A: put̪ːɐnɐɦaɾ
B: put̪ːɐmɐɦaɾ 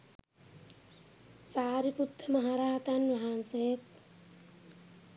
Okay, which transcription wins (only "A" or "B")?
B